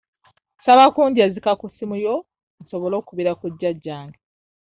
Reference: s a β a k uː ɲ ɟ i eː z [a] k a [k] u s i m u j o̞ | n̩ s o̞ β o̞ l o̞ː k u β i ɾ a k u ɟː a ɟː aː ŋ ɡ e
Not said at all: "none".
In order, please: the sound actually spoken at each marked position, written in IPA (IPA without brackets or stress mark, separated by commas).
i, k